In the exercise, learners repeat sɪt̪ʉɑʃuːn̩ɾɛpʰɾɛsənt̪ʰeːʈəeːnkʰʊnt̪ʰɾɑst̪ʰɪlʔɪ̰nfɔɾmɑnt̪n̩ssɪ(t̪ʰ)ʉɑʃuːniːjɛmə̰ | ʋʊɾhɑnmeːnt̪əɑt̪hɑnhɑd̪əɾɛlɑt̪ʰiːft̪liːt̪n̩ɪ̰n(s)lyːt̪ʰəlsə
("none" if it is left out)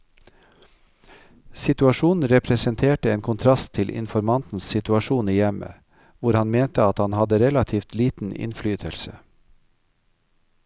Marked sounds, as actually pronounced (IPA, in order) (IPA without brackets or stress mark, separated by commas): t̪, f